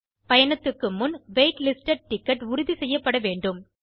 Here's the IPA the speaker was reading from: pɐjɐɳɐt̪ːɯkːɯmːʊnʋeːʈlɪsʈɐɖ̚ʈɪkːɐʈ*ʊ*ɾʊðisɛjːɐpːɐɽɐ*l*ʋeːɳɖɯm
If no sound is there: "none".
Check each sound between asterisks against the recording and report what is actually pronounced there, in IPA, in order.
ʊ, none

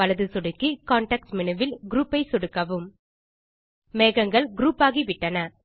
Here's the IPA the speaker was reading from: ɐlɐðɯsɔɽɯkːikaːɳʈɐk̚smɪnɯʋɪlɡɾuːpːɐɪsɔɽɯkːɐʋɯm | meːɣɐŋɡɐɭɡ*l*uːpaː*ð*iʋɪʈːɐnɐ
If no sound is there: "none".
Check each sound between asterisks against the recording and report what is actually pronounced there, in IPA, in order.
ɾ, ɣ

